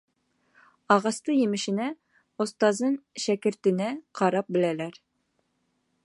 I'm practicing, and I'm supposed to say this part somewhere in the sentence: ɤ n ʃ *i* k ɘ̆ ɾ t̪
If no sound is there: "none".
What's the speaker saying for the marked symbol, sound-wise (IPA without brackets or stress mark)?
æ